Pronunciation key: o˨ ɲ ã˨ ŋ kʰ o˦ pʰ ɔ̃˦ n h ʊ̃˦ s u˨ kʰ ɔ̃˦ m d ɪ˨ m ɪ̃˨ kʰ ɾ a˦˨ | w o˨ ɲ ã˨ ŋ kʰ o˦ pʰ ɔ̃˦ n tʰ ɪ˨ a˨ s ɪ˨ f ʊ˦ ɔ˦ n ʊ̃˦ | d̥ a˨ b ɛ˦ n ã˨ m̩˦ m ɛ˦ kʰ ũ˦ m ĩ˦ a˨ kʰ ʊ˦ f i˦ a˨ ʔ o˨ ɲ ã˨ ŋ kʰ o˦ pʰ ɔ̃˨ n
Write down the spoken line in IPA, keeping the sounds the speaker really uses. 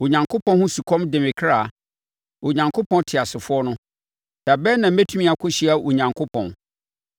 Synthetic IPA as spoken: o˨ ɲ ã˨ ŋ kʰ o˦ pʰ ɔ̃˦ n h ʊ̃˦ s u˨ kʰ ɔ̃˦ m d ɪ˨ m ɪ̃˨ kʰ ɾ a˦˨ | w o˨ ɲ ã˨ ŋ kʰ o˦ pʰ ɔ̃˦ n tʰ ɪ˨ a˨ s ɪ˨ f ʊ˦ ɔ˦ n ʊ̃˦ | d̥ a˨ b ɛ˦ n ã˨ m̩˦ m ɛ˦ tʰ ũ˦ m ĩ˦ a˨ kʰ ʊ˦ ɕ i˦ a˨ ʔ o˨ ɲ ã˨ ŋ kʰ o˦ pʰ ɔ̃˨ n